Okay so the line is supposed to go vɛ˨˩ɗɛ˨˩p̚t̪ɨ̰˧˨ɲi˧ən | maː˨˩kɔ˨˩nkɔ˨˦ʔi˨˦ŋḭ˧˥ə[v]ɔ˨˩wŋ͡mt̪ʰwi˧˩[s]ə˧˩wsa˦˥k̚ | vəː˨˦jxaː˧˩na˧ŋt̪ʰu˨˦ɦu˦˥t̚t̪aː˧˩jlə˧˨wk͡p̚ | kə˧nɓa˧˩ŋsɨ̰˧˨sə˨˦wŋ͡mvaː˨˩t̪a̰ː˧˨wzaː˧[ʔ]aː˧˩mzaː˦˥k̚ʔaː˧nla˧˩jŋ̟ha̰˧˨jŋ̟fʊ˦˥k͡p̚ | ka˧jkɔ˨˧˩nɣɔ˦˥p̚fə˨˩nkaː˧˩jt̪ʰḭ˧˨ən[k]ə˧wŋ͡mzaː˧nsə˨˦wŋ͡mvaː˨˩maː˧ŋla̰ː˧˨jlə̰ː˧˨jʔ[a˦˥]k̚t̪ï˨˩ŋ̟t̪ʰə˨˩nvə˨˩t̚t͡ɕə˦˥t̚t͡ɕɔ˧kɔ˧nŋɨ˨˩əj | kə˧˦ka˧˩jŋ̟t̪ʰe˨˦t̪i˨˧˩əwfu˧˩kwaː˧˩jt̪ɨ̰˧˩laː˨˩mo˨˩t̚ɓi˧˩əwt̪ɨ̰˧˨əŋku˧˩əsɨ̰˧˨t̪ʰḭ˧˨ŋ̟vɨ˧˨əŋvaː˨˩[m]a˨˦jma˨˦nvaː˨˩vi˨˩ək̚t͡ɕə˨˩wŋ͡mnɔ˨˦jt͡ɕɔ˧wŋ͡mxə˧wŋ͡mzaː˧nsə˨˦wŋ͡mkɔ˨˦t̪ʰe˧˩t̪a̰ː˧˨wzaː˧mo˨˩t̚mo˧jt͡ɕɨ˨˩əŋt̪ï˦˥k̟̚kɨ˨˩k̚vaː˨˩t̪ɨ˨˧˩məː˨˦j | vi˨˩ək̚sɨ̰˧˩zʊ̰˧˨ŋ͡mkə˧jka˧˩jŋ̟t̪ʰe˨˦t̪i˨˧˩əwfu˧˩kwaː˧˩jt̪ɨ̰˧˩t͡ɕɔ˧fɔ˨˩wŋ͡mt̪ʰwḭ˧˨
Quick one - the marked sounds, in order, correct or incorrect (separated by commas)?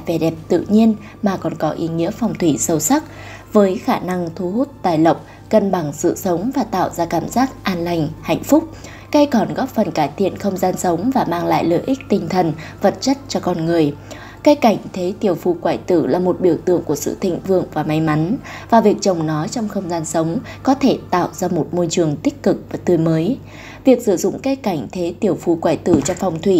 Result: incorrect, correct, incorrect, incorrect, incorrect, correct